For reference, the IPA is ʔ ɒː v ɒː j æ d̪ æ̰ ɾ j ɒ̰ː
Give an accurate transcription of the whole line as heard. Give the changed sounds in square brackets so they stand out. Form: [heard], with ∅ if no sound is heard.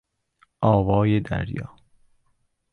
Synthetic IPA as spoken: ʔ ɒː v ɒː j [e] d̪ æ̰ ɾ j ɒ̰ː